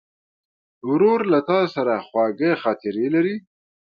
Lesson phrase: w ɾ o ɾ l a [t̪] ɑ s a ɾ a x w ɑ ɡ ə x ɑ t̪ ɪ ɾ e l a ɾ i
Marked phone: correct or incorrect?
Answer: correct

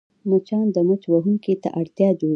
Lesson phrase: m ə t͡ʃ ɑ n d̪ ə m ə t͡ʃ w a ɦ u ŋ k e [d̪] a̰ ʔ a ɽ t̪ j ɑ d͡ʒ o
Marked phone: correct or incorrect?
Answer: incorrect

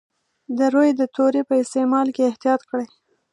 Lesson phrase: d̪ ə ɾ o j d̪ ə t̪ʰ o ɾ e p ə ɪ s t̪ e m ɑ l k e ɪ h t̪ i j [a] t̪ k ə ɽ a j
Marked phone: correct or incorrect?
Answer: incorrect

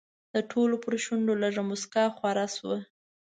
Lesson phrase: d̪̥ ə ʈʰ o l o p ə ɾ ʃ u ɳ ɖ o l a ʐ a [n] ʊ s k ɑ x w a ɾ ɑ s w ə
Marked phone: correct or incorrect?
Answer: incorrect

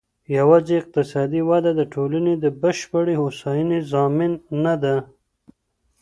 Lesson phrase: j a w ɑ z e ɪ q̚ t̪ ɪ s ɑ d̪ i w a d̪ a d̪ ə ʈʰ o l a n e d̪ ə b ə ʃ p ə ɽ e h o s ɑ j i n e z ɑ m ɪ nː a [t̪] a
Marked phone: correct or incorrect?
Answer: incorrect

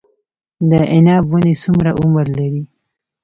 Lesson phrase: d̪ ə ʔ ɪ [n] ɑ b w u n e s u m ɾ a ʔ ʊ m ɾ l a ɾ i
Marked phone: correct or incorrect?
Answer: correct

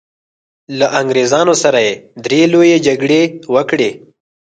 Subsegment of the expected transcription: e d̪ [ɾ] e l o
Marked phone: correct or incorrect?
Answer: correct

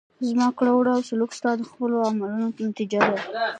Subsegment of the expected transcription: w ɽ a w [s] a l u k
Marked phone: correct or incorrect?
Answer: correct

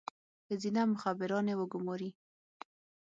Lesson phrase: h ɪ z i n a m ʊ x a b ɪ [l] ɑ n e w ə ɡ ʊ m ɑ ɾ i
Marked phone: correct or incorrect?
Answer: incorrect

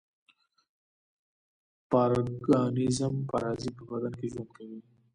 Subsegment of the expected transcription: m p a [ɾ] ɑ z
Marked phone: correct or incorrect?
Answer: correct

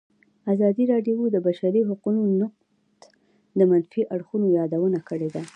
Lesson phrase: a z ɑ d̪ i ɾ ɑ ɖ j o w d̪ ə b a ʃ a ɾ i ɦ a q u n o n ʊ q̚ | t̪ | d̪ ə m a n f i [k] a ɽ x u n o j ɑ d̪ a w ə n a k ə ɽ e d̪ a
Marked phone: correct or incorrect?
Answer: incorrect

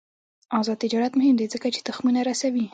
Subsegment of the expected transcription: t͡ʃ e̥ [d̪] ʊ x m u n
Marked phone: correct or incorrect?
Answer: incorrect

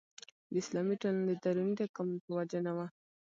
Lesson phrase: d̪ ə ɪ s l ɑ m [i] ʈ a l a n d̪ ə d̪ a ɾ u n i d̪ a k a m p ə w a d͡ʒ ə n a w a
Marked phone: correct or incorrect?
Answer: correct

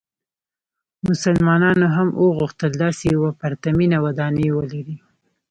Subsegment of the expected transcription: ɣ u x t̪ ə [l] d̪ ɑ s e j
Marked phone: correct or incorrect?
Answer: correct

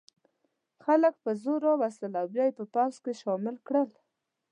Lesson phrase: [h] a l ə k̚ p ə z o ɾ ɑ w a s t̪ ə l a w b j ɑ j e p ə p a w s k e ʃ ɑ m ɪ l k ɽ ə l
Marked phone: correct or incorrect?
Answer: incorrect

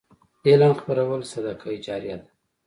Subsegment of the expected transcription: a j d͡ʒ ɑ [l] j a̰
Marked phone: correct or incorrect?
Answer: incorrect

